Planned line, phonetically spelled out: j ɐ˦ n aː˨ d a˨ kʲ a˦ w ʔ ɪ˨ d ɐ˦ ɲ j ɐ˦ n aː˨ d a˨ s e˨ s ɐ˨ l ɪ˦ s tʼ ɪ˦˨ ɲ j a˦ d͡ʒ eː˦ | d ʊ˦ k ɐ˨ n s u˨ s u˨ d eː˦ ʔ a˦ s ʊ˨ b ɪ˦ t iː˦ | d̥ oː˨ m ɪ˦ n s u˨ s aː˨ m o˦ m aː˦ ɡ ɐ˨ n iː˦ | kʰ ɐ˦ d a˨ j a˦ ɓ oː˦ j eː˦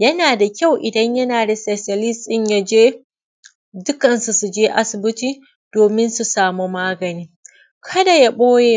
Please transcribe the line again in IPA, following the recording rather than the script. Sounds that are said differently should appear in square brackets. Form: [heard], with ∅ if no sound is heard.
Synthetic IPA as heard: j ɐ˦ n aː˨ d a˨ kʲ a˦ w ʔ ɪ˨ d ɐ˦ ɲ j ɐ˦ n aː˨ d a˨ s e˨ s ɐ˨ l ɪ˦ s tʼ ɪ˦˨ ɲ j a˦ d͡ʒ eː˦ | d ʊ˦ k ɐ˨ n s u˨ s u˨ [d͡ʒ] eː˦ ʔ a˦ s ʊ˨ b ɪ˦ t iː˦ | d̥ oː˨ m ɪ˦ n s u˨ s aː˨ m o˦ m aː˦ ɡ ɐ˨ n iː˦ | kʰ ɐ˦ d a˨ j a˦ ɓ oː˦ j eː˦